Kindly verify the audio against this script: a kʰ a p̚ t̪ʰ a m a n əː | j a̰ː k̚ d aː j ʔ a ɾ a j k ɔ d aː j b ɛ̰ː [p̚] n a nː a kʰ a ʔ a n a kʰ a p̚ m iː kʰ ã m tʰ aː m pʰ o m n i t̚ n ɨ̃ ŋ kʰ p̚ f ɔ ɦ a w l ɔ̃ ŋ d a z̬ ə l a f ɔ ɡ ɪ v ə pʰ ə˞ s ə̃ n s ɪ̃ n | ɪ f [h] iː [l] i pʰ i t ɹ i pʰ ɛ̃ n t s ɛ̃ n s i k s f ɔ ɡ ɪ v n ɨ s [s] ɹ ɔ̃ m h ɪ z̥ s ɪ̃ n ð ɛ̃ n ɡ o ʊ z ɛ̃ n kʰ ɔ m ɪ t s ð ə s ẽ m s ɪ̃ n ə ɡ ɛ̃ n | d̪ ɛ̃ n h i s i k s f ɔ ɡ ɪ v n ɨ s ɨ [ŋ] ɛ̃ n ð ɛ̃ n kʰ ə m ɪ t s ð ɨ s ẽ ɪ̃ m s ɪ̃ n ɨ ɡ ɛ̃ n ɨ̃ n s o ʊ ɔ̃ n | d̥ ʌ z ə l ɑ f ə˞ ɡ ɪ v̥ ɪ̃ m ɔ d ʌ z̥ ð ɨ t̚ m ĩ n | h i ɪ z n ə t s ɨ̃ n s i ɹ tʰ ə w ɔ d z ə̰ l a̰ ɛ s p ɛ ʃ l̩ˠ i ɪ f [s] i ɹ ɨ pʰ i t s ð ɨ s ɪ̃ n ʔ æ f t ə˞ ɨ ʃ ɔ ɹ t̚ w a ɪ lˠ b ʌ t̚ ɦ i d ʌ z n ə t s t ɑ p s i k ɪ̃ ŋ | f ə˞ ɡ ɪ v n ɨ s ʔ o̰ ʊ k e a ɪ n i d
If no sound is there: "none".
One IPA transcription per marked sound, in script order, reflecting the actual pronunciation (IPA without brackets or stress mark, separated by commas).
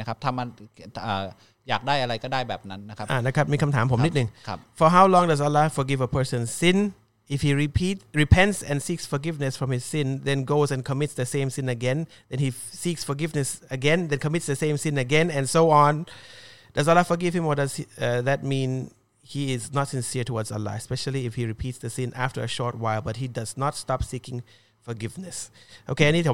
p̚, h, ɹ, f, ɡ, h